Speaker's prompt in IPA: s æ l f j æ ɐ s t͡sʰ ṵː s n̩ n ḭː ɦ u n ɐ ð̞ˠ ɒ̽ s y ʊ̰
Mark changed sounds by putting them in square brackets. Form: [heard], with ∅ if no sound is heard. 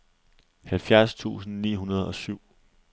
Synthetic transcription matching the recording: [h] æ l f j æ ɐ s t͡sʰ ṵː s n̩ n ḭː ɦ u n ɐ ð̞ˠ ɒ̽ s y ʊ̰